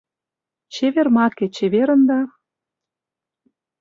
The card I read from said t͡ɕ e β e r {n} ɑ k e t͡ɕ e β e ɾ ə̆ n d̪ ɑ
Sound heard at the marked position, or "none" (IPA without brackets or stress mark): m